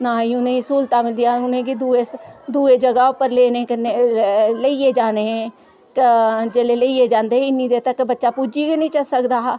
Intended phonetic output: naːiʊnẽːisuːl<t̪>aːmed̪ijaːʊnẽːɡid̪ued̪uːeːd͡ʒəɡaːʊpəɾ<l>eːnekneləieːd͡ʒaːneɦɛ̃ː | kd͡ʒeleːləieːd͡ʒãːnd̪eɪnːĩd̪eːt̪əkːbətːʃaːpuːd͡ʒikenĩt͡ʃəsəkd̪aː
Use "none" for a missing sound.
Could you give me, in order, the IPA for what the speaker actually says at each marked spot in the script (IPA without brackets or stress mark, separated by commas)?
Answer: t̪, l